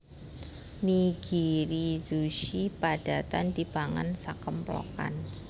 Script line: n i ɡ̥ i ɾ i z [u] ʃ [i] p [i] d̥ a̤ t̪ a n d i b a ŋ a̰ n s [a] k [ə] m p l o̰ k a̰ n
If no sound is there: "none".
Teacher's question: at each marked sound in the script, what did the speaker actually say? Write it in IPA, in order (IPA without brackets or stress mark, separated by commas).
u, i, a, a, ə